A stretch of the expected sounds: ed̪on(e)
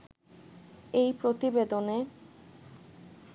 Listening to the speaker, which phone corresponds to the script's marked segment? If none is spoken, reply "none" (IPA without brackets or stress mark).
e